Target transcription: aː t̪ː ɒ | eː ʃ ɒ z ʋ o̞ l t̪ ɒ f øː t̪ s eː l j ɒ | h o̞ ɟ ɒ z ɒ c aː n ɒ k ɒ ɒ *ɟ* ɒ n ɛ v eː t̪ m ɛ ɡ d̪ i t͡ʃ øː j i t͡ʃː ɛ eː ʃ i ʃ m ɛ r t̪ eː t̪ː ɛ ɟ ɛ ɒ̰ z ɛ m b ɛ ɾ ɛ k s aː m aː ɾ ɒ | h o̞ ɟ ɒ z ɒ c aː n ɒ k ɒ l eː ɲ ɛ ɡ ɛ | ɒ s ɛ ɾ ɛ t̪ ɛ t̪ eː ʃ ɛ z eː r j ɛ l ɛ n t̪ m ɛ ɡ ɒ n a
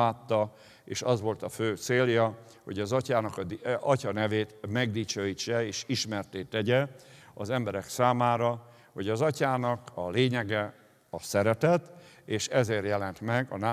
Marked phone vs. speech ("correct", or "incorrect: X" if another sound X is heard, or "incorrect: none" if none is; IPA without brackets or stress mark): incorrect: c